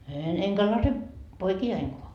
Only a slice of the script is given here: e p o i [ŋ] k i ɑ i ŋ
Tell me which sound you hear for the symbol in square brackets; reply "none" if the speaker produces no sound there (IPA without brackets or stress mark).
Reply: none